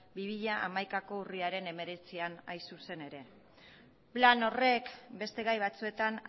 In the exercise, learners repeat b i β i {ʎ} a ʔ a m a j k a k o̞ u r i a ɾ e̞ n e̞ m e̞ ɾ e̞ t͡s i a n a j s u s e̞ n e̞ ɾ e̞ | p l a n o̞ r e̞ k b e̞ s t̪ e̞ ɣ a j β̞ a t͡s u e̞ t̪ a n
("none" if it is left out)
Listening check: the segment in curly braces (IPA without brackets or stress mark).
ʎ